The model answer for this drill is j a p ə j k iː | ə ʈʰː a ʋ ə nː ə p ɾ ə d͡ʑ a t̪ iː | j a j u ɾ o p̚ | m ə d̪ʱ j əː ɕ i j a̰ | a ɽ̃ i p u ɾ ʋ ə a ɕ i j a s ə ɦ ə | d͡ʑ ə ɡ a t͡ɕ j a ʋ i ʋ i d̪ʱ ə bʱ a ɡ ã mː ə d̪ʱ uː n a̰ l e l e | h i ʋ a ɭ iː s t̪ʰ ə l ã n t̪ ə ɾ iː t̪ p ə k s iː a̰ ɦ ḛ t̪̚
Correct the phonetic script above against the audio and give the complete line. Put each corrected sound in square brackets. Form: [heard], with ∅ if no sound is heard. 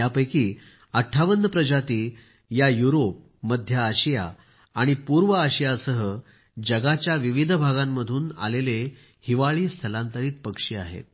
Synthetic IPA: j a p ə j k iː | ə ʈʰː a ʋ ə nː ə p ɾ ə d͡ʑ a t̪ iː | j a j u ɾ o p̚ | m ə d̪ʱ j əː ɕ i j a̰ | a ɽ̃ i p u ɾ ʋ ə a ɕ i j a s ə ɦ ə | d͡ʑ ə ɡ a t͡ɕ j a ʋ i ʋ i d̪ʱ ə bʱ a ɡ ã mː ə d̪ʱ uː n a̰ l e l e | h i ʋ a ɭ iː s t̪ʰ ə l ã n t̪ ə ɾ iː t̪ p ə k [ʂ] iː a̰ ɦ ḛ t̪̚

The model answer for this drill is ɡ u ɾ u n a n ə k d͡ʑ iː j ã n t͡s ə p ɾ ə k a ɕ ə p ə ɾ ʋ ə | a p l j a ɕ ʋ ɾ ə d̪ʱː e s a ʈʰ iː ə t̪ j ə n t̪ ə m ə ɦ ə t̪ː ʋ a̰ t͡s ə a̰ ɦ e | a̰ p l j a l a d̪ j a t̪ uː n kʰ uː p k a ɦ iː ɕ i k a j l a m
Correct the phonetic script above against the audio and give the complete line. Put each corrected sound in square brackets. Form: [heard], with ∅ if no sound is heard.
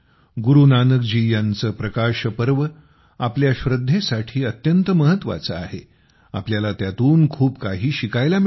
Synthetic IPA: ɡ u ɾ u n a n ə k d͡ʑ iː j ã n t͡s ə p ɾ ə k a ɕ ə p ə ɾ ʋ ə | a p l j a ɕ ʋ ɾ ə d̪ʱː e s a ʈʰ iː ə t̪ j ə n t̪ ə m ə ɦ ə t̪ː ʋ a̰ t͡s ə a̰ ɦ e | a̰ p l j a l a [t̪] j a t̪ uː n kʰ uː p k a ɦ iː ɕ i k a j l a m

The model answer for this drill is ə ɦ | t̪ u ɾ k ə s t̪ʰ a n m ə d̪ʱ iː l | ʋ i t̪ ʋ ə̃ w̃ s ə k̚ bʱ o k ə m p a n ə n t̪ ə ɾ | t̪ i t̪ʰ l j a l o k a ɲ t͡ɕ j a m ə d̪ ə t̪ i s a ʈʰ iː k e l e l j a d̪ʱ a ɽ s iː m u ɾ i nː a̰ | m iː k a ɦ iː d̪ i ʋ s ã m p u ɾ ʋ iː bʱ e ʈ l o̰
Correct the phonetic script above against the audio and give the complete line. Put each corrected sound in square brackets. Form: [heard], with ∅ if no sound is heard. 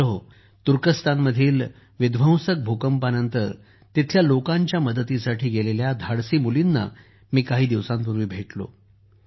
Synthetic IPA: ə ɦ | t̪ u ɾ k ə s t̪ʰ a n m ə d̪ʱ iː l | ʋ i [d̪] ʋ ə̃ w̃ s ə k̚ bʱ o k ə m p a n ə n t̪ ə ɾ | t̪ i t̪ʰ l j a l o k a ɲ t͡ɕ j a m ə d̪ ə t̪ i s a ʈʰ iː [ɡ] e l e l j a d̪ʱ a ɽ s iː m u [l] i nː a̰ | m iː k a ɦ iː d̪ i ʋ s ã m p u ɾ ʋ iː bʱ e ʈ l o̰

